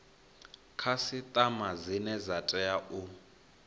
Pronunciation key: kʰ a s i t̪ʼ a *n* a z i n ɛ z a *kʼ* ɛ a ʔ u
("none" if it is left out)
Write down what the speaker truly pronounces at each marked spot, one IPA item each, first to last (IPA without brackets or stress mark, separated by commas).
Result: m, tʼ